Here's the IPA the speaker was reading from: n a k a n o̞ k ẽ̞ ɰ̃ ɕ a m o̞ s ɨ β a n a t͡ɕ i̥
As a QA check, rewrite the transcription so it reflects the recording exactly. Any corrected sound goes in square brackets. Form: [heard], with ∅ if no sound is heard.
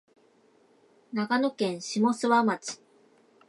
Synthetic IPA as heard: n a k a n o̞ k ẽ̞ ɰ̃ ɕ [i] m o̞ s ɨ β a [m] a t͡ɕ i̥